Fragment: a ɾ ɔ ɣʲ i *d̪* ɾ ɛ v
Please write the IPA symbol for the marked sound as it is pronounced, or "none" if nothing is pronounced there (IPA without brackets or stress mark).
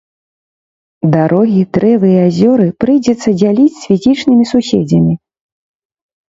d̪